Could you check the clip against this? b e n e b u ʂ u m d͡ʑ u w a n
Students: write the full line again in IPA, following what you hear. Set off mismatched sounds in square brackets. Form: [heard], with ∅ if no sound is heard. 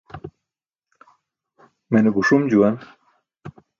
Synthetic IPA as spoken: [m] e n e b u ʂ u m d͡ʑ u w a n

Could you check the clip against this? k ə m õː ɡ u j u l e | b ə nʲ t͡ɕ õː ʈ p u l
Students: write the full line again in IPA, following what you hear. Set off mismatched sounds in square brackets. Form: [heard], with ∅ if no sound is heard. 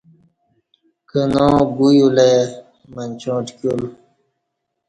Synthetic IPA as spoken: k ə [n] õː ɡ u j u l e | [m] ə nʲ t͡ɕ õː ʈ [k] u l

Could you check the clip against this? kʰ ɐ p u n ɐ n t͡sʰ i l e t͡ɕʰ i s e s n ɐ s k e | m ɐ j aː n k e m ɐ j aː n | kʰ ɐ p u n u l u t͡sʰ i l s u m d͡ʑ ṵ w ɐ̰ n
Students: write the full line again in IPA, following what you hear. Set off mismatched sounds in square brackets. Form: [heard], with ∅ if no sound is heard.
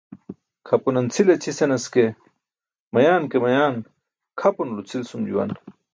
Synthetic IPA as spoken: kʰ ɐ p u n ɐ n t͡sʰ i l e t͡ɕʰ i s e [∅] n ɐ s k e | m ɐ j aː n k e m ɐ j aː n | kʰ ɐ p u n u l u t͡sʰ i l s u m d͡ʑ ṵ w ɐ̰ n

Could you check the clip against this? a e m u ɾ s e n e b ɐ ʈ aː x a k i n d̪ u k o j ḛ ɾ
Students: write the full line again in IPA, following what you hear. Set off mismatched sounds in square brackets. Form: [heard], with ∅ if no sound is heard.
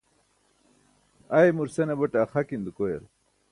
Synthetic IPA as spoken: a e m u ɾ s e n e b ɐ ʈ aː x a k i n d̪ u k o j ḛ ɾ

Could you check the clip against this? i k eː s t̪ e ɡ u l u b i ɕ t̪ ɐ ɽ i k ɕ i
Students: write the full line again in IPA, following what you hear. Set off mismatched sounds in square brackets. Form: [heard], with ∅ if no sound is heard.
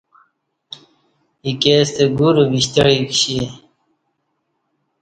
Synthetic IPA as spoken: i k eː s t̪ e ɡ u [ɾ] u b i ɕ t̪ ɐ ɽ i k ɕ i

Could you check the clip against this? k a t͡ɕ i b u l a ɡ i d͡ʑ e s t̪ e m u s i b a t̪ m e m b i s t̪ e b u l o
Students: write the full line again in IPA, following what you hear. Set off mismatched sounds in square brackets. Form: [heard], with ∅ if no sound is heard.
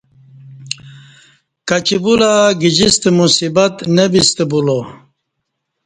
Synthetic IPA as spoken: k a t͡ɕ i b u l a ɡ i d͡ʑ [i] s t̪ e m u s i b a t̪ [n] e [∅] b i s t̪ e b u l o

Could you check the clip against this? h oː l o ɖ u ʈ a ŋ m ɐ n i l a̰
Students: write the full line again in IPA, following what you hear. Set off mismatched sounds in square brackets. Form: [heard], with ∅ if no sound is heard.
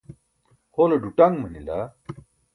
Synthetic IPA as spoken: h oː l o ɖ u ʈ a ŋ m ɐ n i l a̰

